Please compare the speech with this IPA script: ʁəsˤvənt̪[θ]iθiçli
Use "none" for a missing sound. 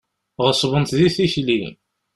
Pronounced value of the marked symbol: ð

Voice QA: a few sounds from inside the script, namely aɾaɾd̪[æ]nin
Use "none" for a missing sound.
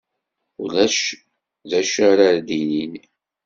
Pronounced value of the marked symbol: i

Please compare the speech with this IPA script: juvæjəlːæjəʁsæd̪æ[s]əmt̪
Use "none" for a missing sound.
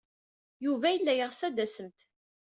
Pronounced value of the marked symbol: s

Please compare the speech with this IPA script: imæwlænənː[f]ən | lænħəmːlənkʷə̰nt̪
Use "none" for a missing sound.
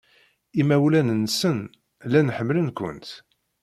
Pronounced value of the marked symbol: s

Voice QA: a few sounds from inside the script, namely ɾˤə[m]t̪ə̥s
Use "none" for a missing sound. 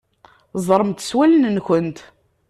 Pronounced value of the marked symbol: m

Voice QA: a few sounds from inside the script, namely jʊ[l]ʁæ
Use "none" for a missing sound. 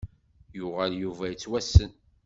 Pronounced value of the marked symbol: none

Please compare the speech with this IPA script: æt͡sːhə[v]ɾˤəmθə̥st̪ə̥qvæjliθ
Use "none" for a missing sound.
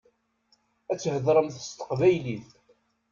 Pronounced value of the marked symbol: ð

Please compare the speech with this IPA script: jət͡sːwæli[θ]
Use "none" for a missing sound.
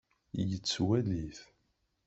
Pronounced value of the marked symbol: θ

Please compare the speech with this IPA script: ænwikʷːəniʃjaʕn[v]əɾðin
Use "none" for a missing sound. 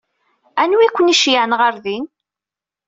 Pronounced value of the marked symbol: ʁ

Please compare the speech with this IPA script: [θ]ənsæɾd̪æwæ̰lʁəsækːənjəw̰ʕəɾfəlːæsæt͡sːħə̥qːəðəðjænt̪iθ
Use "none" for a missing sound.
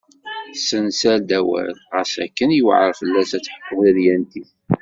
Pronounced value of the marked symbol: s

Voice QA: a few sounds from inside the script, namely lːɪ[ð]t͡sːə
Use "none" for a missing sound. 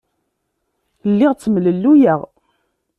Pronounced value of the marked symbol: ʁ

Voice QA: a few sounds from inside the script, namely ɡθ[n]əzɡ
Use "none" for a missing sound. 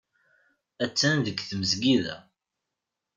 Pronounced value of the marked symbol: m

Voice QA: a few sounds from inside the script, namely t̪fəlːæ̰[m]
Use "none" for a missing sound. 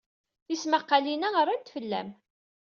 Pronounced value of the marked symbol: m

